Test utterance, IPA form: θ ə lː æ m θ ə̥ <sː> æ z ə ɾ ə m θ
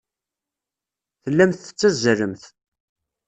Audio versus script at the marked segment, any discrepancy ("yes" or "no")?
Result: yes